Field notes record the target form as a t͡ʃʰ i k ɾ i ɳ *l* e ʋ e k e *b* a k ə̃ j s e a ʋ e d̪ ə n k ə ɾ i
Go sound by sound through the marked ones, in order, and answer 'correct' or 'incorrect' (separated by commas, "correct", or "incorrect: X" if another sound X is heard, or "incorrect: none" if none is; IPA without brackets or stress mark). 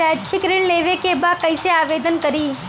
correct, correct